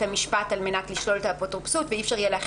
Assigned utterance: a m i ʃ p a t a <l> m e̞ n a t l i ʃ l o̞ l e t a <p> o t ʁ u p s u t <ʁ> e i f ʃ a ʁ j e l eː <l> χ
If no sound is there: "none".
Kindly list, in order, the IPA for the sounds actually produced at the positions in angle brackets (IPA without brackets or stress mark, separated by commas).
l, p, v, none